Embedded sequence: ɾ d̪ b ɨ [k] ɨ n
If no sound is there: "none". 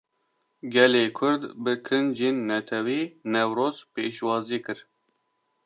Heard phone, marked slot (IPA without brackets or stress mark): kʰ